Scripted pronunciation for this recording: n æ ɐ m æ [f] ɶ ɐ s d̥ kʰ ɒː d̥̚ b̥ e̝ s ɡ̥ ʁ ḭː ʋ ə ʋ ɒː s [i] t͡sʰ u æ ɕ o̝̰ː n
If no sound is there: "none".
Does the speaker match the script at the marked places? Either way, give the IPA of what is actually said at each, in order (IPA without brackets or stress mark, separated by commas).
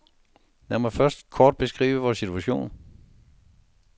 f, i